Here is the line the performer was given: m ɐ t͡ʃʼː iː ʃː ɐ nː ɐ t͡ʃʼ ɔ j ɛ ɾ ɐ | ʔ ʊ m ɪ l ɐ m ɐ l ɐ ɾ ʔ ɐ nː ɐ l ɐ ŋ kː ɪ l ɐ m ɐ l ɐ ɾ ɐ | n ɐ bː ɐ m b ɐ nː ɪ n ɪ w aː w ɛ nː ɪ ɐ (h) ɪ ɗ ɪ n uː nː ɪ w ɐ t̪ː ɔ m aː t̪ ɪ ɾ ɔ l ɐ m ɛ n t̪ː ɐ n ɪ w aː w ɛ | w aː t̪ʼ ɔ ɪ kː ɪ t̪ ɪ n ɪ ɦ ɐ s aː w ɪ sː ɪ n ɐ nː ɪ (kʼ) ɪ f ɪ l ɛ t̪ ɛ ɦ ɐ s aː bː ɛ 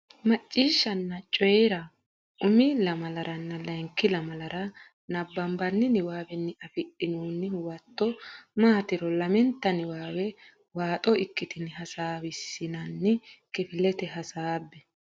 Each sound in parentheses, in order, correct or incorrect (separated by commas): incorrect, incorrect